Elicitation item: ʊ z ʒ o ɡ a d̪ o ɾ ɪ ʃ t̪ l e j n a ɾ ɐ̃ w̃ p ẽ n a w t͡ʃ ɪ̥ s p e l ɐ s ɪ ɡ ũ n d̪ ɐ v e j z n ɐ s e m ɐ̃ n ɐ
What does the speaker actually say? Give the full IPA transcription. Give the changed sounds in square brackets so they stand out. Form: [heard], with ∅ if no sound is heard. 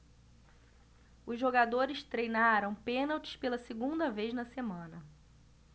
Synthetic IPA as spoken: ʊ z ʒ o ɡ a d̪ o ɾ ɪ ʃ t̪ [ɾ] e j n a ɾ ɐ̃ w̃ p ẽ n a w t͡ʃ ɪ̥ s p e l ɐ s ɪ ɡ ũ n d̪ ɐ v e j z n ɐ s e m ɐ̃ n ɐ